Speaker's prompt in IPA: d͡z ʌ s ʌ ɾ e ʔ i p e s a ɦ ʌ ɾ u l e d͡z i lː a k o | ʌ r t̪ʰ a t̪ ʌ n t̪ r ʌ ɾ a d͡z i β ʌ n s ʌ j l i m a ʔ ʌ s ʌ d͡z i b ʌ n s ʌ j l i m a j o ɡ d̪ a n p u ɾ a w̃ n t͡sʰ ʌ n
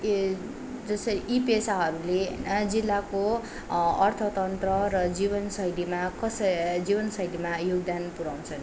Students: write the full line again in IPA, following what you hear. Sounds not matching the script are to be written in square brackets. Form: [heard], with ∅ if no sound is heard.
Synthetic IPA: d͡z ʌ s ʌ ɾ [i] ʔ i p e s a ɦ ʌ ɾ u l e d͡z i lː a k o | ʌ r t̪ʰ [ʌ] t̪ ʌ n t̪ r ʌ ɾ [ʌ] d͡z i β ʌ n s ʌ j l i m a [k] ʌ s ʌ d͡z i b ʌ n s ʌ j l i m a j o ɡ d̪ a n p u ɾ a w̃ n t͡sʰ ʌ n